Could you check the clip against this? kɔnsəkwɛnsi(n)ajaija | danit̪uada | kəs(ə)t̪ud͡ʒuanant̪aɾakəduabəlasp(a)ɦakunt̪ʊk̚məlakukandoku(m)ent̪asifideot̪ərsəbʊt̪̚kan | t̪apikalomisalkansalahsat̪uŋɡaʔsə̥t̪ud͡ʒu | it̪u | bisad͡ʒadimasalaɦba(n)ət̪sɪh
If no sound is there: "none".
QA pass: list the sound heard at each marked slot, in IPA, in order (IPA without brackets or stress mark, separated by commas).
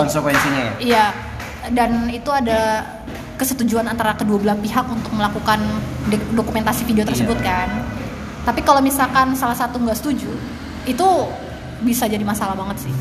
ɲ, ə, i, m, ŋ